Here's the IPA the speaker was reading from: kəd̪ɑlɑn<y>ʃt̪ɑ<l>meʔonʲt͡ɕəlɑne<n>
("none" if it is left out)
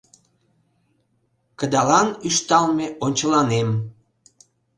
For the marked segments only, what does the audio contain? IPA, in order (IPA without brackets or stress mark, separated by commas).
y, l, m